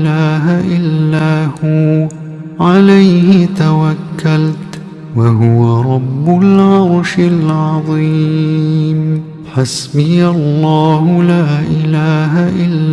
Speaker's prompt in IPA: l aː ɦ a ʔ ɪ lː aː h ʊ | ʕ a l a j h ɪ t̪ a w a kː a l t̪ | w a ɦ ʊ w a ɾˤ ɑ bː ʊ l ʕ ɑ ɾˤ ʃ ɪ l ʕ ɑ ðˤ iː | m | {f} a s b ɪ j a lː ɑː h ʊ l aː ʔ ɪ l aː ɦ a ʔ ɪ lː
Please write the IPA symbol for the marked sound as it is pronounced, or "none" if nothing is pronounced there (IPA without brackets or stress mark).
ħ